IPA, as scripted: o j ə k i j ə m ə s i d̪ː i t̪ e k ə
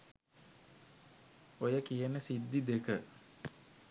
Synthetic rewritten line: o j ə k i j ə n ə s i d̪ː i d̪ e k ə

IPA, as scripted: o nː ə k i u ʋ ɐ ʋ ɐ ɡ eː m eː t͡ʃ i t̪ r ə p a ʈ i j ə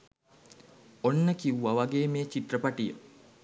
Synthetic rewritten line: o nː ə k i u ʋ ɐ ʋ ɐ ɡ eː m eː t͡ʃ i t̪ r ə p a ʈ i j ə

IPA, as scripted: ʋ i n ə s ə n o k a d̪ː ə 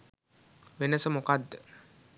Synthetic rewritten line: ʋ e n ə s ə m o k a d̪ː ə

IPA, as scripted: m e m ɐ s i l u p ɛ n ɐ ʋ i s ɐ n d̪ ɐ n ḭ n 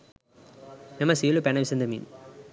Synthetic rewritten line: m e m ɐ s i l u p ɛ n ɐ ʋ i s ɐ n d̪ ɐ m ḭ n

